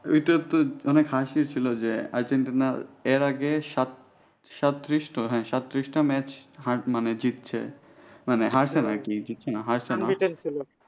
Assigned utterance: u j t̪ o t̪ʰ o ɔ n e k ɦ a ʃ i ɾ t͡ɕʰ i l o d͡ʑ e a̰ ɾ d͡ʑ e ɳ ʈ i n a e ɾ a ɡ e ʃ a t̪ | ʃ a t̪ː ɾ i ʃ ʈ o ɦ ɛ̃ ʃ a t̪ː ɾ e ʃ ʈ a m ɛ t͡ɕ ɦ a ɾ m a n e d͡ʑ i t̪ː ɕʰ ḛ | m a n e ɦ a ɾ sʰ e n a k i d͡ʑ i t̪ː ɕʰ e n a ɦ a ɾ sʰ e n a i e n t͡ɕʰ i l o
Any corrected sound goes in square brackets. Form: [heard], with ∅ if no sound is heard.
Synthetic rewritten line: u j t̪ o [t̪] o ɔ n e k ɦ a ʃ i ɾ t͡ɕʰ i l o d͡ʑ e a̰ ɾ d͡ʑ e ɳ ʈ i n a e ɾ a ɡ e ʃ a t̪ | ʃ a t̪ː ɾ i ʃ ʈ o ɦ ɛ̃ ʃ a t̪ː ɾ [i] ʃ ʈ a m ɛ t͡ɕ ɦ a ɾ m a n e d͡ʑ i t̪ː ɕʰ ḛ | m a n e ɦ a ɾ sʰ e n a k i d͡ʑ i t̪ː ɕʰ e n a ɦ a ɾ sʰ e n a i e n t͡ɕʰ i l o